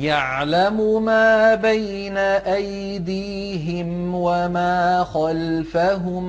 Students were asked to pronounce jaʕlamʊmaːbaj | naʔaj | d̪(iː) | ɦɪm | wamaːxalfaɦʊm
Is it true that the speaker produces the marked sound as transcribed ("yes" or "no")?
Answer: yes